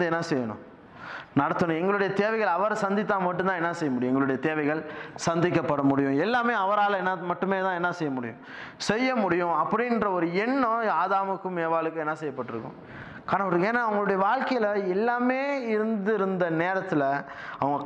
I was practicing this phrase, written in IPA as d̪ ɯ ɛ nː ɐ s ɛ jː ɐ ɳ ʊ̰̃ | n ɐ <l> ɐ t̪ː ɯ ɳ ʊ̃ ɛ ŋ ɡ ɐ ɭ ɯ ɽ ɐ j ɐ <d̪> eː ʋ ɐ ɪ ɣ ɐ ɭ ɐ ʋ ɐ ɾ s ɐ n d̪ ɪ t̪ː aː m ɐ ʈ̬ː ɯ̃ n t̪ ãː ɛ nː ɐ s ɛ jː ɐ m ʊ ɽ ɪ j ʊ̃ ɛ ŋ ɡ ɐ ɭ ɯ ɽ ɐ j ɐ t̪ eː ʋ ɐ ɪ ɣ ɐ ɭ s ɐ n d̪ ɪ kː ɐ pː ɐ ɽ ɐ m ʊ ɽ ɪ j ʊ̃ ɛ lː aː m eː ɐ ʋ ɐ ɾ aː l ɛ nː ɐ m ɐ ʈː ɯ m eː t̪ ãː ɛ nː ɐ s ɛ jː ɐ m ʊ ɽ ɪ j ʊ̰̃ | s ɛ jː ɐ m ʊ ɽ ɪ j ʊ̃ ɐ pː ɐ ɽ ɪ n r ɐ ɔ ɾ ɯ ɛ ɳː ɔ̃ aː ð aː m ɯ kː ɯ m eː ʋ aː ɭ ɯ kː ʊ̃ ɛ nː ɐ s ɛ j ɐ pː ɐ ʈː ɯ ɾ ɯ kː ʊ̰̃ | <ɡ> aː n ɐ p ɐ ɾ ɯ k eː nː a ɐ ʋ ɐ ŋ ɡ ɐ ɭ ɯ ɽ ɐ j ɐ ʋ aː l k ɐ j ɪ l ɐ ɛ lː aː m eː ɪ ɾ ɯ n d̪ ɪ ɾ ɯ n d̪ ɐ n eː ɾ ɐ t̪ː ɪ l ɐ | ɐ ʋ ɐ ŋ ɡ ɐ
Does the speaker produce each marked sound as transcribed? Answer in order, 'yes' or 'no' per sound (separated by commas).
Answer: no, no, no